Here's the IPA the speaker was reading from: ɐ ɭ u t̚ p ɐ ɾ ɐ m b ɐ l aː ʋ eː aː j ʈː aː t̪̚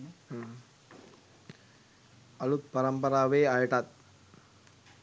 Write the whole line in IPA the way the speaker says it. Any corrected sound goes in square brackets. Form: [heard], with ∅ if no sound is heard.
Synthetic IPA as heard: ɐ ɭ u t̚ p ɐ ɾ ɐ m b ɐ [ɾ] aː ʋ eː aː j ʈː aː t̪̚